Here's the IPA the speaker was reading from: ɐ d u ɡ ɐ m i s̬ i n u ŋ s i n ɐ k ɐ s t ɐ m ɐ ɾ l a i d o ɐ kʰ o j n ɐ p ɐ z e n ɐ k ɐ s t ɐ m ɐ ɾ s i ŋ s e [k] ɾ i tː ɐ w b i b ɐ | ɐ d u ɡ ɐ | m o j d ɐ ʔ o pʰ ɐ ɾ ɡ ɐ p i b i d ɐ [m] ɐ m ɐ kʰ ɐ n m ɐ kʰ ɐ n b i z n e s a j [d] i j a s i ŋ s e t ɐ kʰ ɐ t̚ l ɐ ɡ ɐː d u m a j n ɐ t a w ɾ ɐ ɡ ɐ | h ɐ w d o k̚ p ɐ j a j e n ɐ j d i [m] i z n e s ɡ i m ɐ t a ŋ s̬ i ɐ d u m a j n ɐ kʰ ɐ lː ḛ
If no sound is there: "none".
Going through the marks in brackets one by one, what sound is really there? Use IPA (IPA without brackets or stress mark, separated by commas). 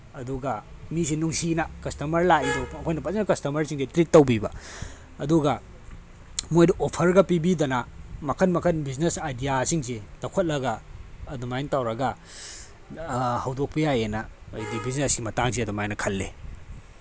t, n, d, b